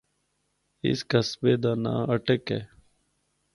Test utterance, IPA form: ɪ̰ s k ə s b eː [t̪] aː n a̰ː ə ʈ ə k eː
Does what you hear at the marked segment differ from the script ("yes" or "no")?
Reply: yes